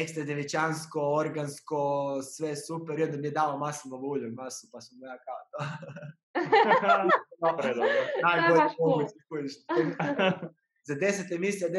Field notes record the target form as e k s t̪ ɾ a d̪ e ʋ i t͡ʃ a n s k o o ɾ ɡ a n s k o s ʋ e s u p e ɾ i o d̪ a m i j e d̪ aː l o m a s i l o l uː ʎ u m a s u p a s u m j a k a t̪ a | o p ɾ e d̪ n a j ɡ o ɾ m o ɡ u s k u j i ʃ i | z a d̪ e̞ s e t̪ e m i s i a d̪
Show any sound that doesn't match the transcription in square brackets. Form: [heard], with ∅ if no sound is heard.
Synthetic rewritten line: e k s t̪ ɾ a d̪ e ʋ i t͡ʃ a n s k o o ɾ ɡ a n s k o s ʋ e s u p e ɾ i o d̪ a m i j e d̪ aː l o m a s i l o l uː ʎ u m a s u p a s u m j a k a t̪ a | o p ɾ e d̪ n a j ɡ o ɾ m o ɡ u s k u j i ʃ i | z a d̪ e̞ s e t̪ e m i s i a d̪